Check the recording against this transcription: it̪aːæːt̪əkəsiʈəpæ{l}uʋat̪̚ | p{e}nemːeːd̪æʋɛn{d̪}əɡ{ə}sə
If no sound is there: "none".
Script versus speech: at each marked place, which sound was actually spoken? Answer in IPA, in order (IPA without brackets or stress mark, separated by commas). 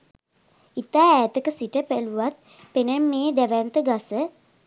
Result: l, e, t̪, a